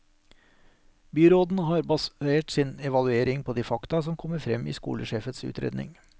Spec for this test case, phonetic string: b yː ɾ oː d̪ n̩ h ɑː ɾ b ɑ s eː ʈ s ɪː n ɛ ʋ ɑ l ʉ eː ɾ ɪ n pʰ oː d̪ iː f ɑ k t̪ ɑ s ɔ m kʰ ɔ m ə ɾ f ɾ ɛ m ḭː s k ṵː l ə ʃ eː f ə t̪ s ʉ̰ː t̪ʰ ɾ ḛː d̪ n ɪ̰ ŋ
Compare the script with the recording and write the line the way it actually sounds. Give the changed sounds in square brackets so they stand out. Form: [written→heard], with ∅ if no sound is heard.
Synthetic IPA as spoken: b yː ɾ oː d̪ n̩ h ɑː ɾ b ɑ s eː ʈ s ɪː n ɛ ʋ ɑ l ʉ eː ɾ ɪ [n→ŋ] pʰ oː d̪ iː f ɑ k t̪ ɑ s ɔ m kʰ ɔ m ə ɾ f ɾ ɛ m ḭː s k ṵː l ə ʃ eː f ə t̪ s ʉ̰ː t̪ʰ ɾ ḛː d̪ n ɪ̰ ŋ